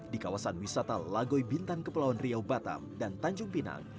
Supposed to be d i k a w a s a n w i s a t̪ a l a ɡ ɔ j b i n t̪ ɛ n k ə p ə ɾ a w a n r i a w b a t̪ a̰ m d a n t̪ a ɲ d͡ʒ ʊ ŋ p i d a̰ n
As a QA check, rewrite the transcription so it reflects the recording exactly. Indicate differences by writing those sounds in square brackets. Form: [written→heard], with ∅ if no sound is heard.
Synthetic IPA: d i k a w a s a n w i s a t̪ a l a ɡ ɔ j b i n t̪ [ɛ→a] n k ə p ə [ɾ→l] a w a n r i a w b a t̪ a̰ m d a n t̪ a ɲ d͡ʒ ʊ ŋ p i [d→n] a̰ [n→ŋ]

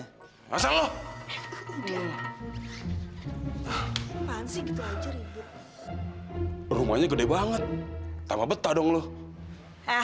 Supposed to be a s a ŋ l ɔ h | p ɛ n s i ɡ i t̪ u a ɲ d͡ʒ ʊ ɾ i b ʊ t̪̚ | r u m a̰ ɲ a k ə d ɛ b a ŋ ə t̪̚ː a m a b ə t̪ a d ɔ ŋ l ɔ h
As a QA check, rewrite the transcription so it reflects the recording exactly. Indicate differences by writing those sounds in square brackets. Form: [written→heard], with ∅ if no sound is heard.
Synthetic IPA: a s a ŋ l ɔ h | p [ɛ→a] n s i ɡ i t̪ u a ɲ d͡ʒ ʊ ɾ i b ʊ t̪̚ | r u m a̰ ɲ a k ə d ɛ b a ŋ ə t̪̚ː a m a b ə t̪ a d ɔ ŋ l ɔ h

